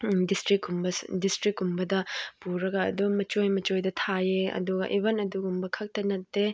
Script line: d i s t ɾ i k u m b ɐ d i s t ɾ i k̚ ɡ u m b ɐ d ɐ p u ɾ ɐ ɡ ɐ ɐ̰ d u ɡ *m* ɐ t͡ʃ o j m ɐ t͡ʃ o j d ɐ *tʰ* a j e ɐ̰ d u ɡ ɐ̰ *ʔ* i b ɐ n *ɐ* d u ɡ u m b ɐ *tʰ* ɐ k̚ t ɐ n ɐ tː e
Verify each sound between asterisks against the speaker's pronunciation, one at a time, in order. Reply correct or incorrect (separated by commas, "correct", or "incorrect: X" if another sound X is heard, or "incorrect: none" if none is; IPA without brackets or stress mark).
correct, correct, correct, correct, incorrect: kʰ